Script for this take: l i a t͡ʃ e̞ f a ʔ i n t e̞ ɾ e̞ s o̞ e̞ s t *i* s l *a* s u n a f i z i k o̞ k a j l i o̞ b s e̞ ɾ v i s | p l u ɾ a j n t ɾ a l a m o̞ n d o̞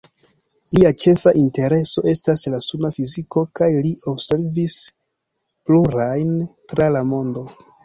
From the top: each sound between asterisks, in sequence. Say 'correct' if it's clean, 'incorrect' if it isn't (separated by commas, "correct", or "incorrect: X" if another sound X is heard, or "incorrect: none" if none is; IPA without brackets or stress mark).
incorrect: a, correct